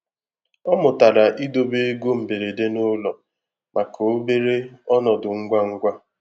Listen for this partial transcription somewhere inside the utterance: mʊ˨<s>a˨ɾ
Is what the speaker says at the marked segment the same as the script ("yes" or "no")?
no